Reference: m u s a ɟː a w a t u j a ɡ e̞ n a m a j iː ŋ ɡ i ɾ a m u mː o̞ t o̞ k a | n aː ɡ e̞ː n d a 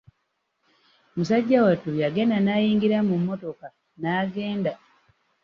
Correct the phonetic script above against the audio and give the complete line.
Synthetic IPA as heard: m u s a ɟː a w a t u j a ɡ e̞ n a n a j iː ŋ ɡ i ɾ a m u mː o̞ t o̞ k a | n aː ɡ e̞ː n d a

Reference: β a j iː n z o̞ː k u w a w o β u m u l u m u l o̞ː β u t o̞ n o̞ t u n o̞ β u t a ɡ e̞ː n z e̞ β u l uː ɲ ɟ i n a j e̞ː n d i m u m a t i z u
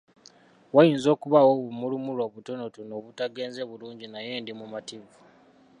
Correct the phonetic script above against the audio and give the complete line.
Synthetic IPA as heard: w a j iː n z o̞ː k u β a w o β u m u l u m u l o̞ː β u t o̞ n o̞ t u n o̞ β u t a ɡ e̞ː n z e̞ β u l uː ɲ ɟ i n a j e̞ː n d i m u m a t i v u

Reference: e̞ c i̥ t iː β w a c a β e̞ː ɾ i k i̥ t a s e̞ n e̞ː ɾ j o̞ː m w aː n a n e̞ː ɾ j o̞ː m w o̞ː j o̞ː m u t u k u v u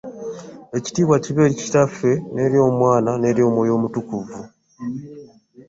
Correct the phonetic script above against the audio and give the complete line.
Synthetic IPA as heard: e̞ c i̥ t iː β w a c i β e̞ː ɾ i c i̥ t a f e̞ n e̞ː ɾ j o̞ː m w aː n a n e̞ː ɾ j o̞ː m w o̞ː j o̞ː m u t u k u v u

